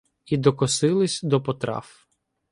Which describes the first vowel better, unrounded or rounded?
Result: unrounded